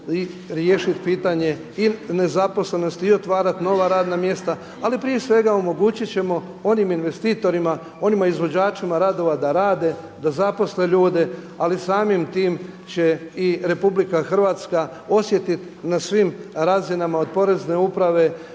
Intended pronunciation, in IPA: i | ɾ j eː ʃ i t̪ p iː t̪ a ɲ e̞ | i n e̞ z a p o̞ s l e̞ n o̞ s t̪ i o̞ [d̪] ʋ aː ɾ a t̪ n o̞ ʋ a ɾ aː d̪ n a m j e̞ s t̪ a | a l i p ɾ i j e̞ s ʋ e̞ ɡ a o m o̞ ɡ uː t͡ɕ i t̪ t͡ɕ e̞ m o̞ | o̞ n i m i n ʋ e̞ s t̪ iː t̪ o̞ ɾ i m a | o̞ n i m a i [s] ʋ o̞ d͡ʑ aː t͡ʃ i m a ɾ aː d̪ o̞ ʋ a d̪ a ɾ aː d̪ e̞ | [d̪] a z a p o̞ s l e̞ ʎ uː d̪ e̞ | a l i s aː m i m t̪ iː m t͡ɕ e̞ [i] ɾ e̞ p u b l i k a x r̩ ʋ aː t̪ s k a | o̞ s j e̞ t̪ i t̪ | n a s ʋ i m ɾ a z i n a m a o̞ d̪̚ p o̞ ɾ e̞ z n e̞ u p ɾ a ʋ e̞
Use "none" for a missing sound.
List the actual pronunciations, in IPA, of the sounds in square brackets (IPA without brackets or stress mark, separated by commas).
t̪, z, d̪, i